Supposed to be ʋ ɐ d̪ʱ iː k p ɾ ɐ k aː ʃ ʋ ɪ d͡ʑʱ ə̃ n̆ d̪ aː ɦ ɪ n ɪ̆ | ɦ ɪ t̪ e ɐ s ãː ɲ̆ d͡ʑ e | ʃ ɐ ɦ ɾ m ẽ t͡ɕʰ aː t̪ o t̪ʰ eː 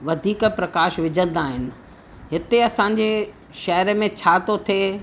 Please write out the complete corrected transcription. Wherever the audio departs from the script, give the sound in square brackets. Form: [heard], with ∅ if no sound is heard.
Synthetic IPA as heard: ʋ ɐ d̪ʱ iː k p ɾ ɐ k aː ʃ ʋ ɪ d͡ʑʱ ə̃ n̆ d̪ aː ɦ ɪ n ɪ̆ | ɦ ɪ t̪ e ɐ s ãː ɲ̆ d͡ʑ e | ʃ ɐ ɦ ɾ m ẽ t͡ɕʰ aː t̪ o t̪ʰ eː